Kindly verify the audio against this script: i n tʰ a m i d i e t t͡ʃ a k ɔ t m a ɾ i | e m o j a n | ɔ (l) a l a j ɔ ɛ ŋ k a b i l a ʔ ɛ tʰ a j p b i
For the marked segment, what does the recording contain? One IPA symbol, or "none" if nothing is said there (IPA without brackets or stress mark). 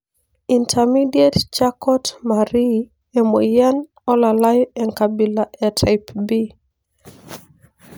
l